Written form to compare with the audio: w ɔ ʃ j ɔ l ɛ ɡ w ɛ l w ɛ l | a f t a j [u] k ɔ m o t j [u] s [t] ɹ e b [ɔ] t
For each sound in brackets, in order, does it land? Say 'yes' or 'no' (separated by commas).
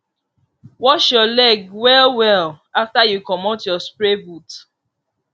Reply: yes, no, no, no